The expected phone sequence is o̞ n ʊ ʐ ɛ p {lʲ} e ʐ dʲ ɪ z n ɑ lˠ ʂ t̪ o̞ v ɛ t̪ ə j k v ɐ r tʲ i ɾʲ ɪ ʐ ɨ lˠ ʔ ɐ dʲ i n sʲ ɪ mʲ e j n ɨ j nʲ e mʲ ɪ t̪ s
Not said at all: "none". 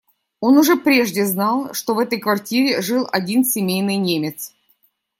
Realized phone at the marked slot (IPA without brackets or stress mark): ɾʲ